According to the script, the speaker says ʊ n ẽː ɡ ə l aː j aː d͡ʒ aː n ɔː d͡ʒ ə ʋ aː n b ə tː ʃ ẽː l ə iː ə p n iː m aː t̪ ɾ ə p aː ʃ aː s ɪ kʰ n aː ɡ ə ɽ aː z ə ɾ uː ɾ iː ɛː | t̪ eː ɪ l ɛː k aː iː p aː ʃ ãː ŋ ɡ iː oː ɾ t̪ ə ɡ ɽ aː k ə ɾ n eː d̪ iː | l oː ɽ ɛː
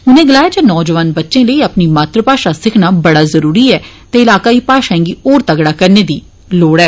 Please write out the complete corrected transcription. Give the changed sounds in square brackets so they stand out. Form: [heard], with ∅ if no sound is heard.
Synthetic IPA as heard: ʊ n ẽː ɡ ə l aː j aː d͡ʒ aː n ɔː d͡ʒ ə ʋ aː n b ə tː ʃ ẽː l ə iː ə p n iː m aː t̪ ɾ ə p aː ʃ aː s ɪ kʰ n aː [b] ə ɽ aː z ə ɾ uː ɾ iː ɛː | t̪ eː ɪ l [aː] k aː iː p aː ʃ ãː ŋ ɡ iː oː ɾ t̪ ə ɡ ɽ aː k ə ɾ n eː d̪ iː | l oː ɽ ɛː